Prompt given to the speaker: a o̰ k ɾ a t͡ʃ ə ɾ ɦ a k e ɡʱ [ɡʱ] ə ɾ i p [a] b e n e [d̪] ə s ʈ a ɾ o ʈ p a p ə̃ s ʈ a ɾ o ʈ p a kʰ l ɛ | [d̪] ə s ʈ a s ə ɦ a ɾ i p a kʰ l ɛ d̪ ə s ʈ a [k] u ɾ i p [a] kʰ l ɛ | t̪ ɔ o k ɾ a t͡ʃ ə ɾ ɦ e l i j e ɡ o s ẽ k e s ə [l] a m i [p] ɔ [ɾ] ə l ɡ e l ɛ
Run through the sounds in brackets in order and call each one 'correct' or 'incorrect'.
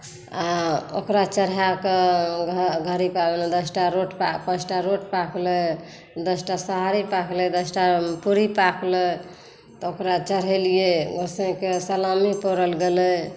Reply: correct, correct, correct, correct, incorrect: p, correct, correct, correct, correct

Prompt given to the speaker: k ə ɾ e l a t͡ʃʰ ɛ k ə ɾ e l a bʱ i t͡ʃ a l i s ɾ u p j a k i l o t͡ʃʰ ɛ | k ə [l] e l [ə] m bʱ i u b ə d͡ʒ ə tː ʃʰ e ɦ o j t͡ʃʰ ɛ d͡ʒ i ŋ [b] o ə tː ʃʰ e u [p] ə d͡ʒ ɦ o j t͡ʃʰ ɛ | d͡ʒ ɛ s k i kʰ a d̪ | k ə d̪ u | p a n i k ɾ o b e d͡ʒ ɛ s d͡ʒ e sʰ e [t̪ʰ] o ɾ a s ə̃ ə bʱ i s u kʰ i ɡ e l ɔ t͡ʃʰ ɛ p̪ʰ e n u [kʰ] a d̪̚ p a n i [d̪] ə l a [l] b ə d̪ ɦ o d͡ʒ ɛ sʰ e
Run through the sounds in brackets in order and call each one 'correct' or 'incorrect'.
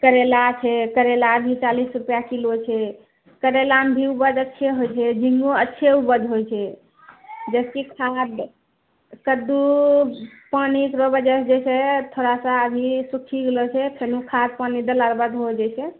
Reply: incorrect: ɾ, incorrect: a, incorrect: ɡ, incorrect: b, correct, correct, correct, incorrect: ɾ

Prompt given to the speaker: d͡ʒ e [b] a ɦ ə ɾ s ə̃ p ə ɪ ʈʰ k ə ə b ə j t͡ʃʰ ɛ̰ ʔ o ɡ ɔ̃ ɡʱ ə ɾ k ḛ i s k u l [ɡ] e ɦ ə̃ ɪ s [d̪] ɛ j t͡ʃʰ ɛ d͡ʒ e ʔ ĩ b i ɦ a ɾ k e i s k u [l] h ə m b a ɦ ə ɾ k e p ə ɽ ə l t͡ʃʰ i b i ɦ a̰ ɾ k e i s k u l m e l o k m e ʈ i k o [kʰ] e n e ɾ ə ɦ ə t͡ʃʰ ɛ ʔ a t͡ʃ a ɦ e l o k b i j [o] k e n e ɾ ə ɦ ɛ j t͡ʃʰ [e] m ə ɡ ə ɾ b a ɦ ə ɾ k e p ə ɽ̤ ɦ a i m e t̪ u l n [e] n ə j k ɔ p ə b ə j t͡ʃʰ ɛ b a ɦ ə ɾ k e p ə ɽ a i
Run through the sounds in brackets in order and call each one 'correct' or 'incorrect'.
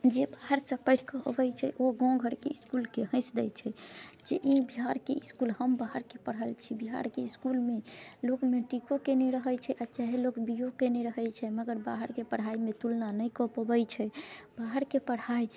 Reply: correct, incorrect: k, correct, correct, incorrect: k, correct, incorrect: ɛ, incorrect: a

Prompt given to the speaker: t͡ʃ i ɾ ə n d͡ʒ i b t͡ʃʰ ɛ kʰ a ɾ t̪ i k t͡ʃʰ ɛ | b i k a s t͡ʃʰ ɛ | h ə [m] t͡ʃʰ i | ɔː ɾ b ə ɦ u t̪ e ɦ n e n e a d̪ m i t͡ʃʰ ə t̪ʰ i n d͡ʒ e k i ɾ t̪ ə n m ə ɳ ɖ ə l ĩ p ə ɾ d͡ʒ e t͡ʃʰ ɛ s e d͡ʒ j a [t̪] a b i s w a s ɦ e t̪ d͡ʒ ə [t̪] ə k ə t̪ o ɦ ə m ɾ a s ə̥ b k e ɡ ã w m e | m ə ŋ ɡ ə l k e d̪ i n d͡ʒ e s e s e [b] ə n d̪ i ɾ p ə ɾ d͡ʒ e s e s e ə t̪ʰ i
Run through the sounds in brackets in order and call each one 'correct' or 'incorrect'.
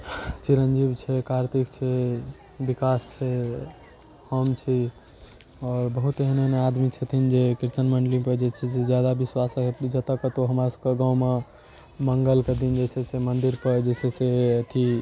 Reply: correct, incorrect: d̪, correct, incorrect: m

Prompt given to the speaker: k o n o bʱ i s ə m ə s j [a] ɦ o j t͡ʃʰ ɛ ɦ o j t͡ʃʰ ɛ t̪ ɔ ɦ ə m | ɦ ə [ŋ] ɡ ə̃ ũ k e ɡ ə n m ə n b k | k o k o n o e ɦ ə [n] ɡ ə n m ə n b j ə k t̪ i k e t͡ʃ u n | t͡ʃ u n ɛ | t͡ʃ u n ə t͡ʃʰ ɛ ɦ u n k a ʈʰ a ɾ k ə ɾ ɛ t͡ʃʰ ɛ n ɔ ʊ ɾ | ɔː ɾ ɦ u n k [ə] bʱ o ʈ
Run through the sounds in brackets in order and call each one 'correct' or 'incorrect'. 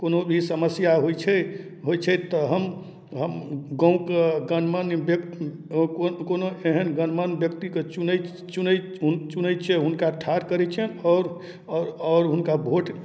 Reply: correct, incorrect: m, correct, incorrect: a

